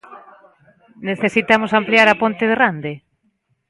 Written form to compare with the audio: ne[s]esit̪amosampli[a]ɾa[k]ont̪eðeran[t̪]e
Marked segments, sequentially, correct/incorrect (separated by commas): incorrect, correct, incorrect, incorrect